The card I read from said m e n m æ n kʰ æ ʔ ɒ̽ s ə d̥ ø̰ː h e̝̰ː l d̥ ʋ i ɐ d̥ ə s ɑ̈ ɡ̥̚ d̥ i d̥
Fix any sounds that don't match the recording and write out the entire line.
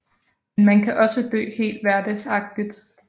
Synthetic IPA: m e n m æ n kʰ æ ʔ ɒ̽ s ə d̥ ø̰ː h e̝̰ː l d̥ ʋ æ ɐ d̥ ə s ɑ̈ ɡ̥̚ d̥ i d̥